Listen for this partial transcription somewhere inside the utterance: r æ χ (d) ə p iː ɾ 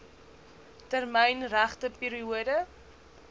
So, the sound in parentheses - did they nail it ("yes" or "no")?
no